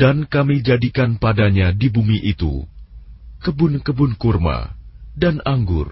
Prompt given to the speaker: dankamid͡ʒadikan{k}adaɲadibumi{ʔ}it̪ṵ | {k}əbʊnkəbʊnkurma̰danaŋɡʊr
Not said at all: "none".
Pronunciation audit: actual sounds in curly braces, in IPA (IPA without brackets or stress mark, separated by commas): p, ʔ, k